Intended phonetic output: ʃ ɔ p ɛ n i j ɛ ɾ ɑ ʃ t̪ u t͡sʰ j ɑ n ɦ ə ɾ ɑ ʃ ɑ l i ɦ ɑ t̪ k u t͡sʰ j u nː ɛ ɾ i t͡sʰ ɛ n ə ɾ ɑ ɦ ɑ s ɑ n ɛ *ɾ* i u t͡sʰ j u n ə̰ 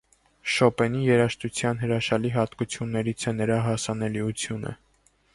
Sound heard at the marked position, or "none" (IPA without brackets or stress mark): l